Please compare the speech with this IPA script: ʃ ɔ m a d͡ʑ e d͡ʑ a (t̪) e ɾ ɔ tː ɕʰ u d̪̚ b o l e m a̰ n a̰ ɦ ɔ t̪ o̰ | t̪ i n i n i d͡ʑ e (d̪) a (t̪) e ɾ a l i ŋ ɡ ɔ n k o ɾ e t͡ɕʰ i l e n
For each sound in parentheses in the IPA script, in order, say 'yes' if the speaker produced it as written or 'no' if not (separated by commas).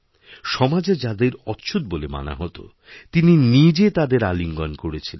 no, no, no